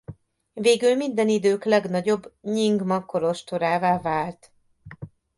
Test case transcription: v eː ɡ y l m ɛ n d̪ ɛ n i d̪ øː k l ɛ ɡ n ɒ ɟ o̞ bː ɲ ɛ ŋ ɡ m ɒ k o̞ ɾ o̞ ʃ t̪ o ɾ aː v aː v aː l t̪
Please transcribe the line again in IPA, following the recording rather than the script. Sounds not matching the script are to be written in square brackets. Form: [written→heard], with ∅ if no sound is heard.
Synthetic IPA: v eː ɡ y l m [ɛ→i] n d̪ ɛ n i d̪ øː k l ɛ ɡ n ɒ ɟ o̞ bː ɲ [ɛ→i] ŋ ɡ m ɒ k o̞ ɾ o̞ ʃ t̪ o ɾ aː v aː v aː l t̪